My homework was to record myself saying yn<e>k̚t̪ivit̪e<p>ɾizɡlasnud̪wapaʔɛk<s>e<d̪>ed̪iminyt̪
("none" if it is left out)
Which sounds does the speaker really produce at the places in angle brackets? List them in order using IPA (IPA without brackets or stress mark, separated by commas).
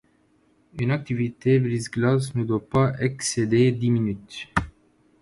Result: a, b, s, d̪